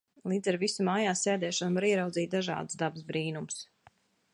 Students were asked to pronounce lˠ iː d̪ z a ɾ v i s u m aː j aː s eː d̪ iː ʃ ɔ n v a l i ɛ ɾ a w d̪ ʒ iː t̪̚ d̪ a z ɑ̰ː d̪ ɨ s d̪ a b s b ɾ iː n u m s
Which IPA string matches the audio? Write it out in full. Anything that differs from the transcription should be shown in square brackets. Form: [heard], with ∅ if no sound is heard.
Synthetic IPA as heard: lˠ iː d̪ z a ɾ v i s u m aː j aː s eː d̪ [ɛː] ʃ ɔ n v a [ɾ] i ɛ ɾ a w d̪ [z] iː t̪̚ d̪ a [ʒ] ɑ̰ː d̪ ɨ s d̪ a b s b ɾ iː n u m s